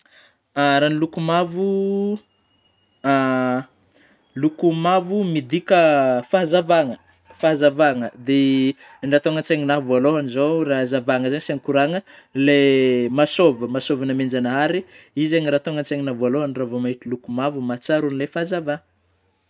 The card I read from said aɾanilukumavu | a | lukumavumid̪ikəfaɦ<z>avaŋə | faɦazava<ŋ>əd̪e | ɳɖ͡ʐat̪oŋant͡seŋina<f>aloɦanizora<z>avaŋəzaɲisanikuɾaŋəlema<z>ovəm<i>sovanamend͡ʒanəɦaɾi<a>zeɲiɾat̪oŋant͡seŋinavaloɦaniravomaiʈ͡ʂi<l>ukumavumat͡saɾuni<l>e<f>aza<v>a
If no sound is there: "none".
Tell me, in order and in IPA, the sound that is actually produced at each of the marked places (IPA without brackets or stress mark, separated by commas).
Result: z, ŋ, v, z, s, a, i, l, l, f, v